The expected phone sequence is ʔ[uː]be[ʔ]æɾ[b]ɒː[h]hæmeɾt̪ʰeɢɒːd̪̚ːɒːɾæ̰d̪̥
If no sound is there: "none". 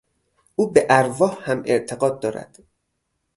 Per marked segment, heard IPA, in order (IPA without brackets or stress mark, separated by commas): uː, ʔ, v, h